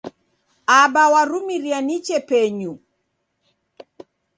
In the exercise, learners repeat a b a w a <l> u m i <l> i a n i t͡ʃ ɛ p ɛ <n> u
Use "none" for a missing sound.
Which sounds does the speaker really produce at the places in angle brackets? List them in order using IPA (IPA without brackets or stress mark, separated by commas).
ɾ, ɾ, ɲ